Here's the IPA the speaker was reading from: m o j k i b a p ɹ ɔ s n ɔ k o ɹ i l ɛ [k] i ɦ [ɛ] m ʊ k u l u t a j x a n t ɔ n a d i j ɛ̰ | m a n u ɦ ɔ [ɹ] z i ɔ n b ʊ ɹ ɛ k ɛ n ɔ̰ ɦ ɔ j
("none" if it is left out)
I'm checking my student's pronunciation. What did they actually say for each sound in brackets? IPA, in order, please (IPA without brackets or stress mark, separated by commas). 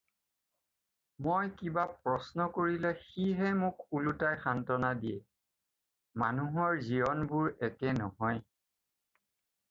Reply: x, ɛ, ɹ